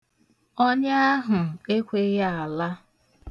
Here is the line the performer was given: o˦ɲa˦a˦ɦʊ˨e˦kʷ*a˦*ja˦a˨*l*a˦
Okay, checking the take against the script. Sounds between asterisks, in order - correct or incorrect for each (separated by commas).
incorrect, correct